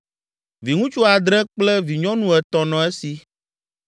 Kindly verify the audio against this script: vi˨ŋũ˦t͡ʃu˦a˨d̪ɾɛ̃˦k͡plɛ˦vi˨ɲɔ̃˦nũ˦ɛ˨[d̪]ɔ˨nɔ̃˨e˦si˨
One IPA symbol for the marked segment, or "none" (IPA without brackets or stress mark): t̪